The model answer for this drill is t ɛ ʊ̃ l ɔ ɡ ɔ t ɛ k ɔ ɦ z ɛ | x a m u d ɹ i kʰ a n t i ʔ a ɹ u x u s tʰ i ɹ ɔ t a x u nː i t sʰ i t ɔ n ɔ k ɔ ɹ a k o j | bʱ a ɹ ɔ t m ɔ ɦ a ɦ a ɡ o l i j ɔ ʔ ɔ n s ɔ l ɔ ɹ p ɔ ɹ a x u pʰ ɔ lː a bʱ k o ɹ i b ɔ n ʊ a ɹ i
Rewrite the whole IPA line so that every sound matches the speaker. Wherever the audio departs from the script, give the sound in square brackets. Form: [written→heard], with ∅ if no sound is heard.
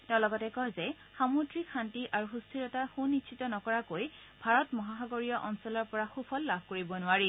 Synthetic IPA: t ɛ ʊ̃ l ɔ ɡ ɔ t ɛ k ɔ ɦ z ɛ | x a m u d ɹ i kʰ a n t i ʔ a ɹ u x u s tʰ i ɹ ɔ t a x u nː i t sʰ i t ɔ n ɔ k ɔ ɹ a k o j | bʱ a ɹ ɔ t m ɔ ɦ a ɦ a ɡ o [l→ɹ] i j ɔ ʔ ɔ n s ɔ l ɔ ɹ p ɔ ɹ a x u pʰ ɔ lː a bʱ k o ɹ i b ɔ n ʊ a ɹ i